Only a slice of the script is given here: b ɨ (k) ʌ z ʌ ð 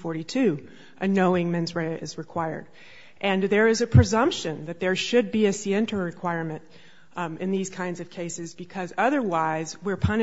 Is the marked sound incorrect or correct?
incorrect